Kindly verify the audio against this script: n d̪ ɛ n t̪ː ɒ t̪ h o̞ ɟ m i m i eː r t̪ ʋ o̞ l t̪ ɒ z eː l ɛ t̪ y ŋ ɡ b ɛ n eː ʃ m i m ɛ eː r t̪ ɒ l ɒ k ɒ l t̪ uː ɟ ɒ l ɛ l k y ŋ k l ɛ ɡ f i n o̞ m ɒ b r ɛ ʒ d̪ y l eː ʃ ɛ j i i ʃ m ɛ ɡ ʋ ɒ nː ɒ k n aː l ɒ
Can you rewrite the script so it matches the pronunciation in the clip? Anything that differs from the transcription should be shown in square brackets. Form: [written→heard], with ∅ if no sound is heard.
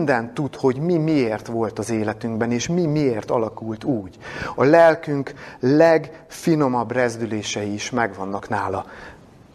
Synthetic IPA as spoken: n d̪ ɛ n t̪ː [ɒ→u] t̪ h o̞ ɟ m i m i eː r t̪ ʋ o̞ l t̪ ɒ z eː l ɛ t̪ y ŋ ɡ b ɛ n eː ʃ m i m [ɛ→i] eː r t̪ ɒ l ɒ k [ɒ→u] l t̪ uː ɟ ɒ l ɛ l k y ŋ k l ɛ ɡ f i n o̞ m ɒ b r ɛ [ʒ→z] d̪ y l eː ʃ ɛ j i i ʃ m ɛ ɡ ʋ ɒ nː ɒ k n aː l ɒ